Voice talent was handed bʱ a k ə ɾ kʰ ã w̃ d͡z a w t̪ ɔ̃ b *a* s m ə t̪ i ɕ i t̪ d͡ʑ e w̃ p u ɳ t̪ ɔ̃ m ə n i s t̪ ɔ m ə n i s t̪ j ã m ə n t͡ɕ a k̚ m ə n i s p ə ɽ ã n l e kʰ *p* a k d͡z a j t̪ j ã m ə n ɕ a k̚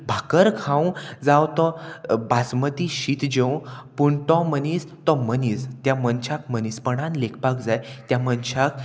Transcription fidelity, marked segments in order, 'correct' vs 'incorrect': correct, correct

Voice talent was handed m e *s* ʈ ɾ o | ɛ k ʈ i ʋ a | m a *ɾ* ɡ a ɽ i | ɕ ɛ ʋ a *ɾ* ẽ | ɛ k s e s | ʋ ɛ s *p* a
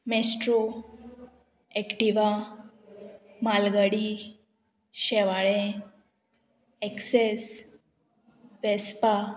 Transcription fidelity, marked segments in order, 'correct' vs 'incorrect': correct, incorrect: l, incorrect: ɭ, correct

